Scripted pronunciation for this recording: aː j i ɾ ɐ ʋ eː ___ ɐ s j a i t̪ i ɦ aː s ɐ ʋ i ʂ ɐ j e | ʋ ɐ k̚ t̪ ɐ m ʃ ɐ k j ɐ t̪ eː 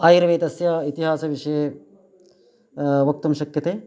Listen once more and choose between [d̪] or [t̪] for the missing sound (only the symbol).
t̪